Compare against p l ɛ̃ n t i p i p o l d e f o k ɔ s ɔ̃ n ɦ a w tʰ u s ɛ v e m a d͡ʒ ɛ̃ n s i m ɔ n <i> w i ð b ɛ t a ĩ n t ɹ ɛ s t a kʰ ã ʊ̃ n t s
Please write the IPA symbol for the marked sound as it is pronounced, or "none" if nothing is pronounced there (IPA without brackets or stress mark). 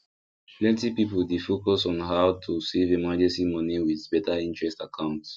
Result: i